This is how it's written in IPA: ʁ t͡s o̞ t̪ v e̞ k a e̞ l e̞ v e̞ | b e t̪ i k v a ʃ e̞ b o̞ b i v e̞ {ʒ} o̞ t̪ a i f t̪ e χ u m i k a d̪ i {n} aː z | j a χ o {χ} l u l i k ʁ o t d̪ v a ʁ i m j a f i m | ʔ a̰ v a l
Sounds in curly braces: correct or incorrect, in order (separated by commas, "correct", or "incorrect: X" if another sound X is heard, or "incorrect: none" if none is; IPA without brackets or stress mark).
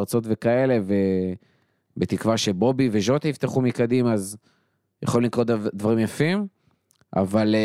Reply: correct, incorrect: m, incorrect: none